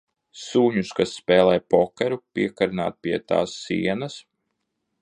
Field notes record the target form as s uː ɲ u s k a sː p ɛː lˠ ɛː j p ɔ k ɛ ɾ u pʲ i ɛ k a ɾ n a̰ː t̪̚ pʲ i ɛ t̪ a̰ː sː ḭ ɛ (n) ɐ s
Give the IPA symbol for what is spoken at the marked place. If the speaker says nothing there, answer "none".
n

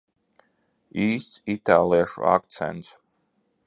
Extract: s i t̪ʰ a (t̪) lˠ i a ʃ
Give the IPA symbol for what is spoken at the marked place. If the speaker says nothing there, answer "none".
none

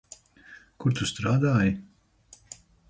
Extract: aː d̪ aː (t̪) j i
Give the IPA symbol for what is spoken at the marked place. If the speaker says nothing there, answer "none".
none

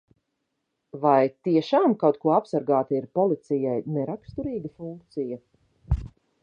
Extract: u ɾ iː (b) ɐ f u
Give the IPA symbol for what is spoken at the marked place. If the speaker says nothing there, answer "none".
ɡ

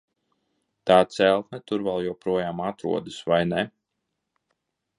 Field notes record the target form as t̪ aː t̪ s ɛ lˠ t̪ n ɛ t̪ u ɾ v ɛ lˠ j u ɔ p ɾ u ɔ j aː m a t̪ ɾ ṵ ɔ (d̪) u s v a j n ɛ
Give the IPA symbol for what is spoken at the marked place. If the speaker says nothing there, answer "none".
d̪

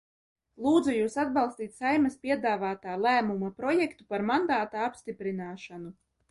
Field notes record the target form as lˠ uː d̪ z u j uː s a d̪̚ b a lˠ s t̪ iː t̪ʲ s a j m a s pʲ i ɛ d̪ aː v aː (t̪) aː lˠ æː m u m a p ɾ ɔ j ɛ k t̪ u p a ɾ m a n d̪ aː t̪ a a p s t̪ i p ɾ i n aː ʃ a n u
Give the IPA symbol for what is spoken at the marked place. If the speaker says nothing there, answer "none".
t̪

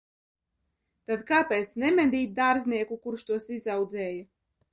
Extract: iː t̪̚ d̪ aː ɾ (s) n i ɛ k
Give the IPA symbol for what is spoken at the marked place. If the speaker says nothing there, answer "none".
z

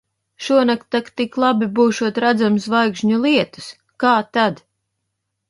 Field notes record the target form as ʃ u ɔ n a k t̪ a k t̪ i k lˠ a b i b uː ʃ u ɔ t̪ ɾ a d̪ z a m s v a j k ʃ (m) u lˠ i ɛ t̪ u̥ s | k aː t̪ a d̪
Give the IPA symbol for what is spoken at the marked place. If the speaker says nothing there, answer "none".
ɲ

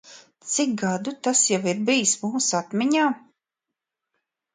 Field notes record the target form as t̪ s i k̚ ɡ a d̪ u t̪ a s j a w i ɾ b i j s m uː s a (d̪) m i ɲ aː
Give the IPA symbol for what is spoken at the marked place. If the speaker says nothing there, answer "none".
t̪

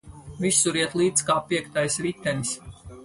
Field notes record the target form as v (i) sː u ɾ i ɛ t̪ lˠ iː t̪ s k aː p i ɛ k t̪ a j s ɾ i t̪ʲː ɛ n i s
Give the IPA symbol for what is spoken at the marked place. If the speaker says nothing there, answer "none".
i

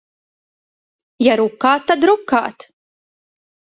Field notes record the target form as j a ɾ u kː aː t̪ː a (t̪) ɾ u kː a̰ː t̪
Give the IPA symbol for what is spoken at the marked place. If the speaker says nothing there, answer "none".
d̪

